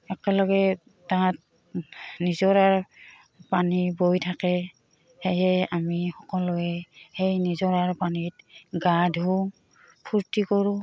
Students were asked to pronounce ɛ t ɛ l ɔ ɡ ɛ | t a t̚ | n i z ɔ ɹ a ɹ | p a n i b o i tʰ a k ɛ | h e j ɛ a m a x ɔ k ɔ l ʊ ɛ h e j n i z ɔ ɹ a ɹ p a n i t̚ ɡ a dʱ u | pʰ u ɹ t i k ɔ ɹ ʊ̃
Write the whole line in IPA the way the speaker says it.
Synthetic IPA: ɛ k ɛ l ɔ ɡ ɛ | t a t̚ | n i z ɔ ɹ a ɹ | p a n i b o j tʰ a k ɛ | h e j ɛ a m i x ɔ k ɔ l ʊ ɛ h e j n i z ɔ ɹ a ɹ p a n i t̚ ɡ a dʱ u | pʰ u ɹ t i k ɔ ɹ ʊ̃